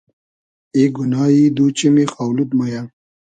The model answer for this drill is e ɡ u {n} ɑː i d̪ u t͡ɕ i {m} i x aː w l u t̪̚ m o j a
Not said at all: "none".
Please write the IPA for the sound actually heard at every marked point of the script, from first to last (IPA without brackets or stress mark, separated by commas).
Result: n, m